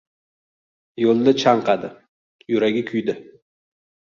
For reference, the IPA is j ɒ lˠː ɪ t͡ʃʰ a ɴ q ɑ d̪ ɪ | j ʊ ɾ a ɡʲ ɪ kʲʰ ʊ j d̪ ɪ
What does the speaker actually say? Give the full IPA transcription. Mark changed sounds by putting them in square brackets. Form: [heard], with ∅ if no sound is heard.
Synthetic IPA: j [o] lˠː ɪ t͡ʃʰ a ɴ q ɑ d̪ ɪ | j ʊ ɾ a ɡʲ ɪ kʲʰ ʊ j d̪ ɪ